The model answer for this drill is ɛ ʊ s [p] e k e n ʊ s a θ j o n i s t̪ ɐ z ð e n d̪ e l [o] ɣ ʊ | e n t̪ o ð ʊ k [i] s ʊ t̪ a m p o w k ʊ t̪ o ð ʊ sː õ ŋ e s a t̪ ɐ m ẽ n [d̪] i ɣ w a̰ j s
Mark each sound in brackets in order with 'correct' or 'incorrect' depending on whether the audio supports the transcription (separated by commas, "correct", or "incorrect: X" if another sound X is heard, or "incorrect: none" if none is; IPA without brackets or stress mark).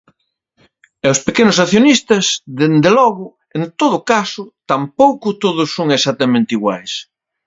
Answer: correct, incorrect: ɔ, incorrect: a, incorrect: t̪